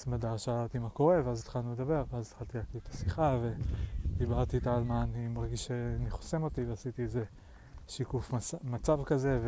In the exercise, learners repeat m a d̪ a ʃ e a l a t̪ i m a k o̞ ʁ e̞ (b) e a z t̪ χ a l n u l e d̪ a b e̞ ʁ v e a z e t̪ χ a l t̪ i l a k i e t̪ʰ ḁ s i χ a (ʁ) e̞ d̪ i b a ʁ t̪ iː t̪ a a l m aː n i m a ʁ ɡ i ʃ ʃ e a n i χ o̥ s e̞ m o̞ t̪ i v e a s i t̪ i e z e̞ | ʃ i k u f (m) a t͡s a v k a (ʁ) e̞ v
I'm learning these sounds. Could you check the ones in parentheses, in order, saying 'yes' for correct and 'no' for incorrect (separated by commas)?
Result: no, no, yes, no